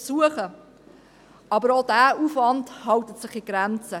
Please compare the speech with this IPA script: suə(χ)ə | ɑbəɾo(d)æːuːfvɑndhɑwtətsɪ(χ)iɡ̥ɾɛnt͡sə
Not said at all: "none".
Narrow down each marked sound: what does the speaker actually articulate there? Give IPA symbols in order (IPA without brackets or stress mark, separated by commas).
χ, d, χ